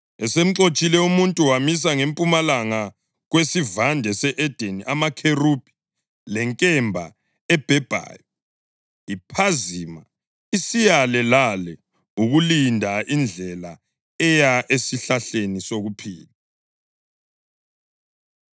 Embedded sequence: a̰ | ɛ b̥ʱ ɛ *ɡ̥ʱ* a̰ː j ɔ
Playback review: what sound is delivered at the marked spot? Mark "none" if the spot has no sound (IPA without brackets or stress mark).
b̥ʱ